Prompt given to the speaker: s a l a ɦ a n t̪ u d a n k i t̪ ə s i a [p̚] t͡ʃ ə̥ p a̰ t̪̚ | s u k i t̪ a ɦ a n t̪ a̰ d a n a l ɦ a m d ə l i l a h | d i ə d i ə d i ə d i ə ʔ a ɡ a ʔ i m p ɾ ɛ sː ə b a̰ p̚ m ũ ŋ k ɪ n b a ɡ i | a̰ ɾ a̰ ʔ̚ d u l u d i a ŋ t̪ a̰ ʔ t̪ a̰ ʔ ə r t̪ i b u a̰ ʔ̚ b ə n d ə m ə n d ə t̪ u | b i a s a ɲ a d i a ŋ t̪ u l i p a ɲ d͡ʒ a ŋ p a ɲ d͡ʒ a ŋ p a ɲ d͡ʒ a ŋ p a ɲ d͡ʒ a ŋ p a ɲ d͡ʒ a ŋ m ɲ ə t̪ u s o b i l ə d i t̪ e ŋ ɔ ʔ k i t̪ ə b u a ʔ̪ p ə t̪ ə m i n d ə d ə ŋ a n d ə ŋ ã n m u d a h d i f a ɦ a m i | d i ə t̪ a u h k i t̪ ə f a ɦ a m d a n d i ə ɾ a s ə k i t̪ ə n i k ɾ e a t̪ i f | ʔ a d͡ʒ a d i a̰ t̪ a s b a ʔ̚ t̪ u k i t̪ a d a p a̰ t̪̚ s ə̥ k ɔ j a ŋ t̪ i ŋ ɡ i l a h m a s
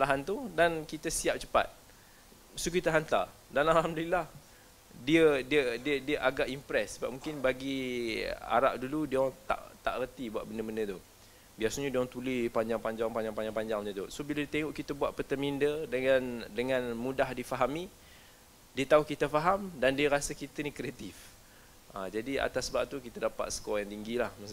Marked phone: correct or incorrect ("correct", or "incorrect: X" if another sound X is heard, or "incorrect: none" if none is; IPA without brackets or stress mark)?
correct